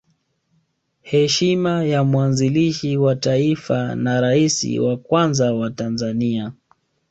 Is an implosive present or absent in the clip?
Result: absent